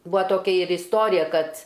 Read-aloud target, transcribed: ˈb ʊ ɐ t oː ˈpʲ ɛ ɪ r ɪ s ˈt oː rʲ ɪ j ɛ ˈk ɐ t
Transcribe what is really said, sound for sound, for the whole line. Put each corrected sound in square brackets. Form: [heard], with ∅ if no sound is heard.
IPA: ˈb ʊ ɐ t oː [ˈkʲ] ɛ ɪ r ɪ s ˈt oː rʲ ɪ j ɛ ˈk ɐ t